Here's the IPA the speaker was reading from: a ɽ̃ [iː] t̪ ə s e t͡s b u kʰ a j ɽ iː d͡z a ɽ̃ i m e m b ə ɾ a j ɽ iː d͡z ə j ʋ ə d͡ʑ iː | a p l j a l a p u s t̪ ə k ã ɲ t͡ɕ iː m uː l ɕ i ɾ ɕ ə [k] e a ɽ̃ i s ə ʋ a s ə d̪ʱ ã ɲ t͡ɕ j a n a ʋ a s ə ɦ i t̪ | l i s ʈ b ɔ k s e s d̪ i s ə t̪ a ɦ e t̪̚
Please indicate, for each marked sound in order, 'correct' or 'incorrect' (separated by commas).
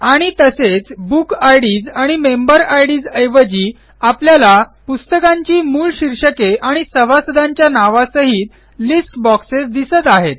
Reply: incorrect, correct